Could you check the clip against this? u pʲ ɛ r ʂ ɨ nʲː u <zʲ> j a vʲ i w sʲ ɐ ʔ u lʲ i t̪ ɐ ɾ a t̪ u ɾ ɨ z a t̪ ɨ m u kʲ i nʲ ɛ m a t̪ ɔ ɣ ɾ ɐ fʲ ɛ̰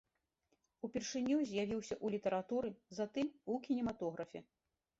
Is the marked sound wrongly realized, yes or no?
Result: no